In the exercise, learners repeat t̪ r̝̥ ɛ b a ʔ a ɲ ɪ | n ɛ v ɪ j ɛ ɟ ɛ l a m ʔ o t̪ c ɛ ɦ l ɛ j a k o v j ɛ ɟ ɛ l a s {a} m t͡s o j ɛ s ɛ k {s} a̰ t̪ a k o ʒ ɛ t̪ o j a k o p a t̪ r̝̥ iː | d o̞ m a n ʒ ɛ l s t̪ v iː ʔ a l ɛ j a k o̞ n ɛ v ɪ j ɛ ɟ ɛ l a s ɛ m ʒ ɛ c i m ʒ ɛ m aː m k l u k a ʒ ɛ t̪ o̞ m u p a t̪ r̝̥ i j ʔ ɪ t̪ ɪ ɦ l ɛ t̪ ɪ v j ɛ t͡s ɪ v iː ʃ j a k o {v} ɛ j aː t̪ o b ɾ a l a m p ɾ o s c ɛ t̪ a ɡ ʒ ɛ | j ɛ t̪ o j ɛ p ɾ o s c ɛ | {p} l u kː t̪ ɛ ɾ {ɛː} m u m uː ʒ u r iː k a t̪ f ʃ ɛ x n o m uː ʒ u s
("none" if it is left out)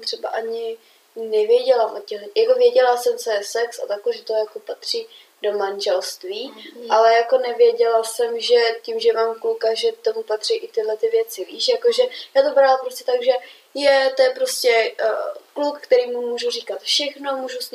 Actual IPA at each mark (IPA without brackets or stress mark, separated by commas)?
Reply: ɛ, s, ʒ, k, iː